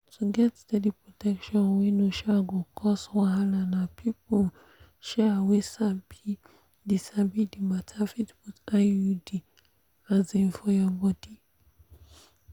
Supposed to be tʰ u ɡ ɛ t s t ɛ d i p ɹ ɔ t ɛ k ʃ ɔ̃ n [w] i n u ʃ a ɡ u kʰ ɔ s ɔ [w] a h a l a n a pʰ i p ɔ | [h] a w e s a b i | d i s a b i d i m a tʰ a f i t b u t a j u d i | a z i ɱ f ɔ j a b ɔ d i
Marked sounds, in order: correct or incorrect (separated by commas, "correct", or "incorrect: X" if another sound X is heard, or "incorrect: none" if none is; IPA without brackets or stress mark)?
correct, correct, incorrect: ʃ